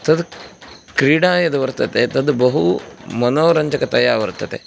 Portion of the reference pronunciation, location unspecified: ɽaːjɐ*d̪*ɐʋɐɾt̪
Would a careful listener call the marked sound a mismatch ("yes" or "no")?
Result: no